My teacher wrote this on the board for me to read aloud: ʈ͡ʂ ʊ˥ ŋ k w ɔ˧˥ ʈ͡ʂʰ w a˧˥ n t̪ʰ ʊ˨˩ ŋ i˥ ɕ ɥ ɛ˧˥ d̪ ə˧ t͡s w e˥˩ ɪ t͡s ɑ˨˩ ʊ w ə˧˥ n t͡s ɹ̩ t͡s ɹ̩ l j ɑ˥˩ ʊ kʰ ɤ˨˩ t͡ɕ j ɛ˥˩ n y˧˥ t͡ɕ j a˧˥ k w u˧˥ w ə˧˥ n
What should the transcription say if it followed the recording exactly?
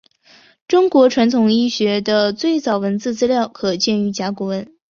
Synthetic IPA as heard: ʈ͡ʂ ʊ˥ ŋ k w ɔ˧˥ ʈ͡ʂʰ w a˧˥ n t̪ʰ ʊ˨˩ ŋ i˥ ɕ ɥ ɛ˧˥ d̪ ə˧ t͡s w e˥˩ ɪ t͡s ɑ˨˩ ʊ w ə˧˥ n t͡s ɹ̩ t͡s ɹ̩ l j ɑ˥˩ ʊ kʰ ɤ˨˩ t͡ɕ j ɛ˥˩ n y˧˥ t͡ɕ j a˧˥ k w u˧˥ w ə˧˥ n